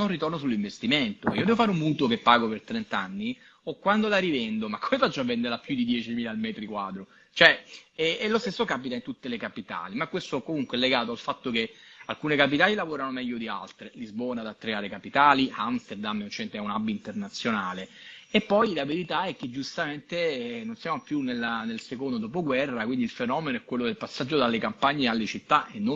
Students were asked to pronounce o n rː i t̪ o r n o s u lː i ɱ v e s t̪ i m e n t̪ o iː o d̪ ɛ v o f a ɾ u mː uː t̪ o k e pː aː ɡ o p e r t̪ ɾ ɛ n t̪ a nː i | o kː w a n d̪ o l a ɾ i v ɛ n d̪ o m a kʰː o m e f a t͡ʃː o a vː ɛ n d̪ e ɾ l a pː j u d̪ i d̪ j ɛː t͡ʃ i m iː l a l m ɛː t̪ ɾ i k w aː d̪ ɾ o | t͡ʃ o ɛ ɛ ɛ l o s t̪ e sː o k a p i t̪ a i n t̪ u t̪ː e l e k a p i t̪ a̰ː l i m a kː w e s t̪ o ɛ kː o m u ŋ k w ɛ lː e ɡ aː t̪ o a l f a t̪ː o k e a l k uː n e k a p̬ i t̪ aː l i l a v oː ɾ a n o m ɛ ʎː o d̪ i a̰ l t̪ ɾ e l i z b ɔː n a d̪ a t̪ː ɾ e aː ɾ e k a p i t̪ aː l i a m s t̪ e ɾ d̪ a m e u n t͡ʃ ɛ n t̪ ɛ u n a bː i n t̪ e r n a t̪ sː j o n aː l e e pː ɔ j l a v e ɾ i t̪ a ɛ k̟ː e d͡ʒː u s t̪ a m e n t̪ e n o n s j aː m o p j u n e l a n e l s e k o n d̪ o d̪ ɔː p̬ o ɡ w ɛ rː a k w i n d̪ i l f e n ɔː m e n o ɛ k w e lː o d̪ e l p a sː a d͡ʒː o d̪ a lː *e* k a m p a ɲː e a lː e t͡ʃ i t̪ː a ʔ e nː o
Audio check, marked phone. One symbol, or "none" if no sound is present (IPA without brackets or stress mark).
e